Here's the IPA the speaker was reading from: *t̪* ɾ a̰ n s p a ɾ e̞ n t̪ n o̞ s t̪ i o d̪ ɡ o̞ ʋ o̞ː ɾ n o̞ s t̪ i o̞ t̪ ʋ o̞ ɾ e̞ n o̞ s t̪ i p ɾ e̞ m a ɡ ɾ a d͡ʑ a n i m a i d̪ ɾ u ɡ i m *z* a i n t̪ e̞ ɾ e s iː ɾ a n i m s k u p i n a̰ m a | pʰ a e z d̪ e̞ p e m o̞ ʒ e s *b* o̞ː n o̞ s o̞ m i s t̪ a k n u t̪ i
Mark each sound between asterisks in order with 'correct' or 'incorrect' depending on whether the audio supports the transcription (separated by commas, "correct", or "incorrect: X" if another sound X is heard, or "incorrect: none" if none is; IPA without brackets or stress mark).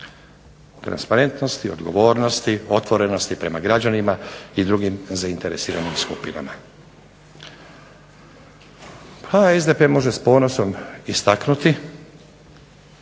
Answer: correct, correct, incorrect: p